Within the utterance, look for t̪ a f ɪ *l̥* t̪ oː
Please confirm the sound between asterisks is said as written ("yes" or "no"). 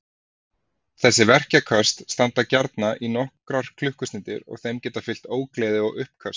yes